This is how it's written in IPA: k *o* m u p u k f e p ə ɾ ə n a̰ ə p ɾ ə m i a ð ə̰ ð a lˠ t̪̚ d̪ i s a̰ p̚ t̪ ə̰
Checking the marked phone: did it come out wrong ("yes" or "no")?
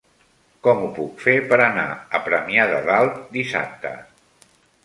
yes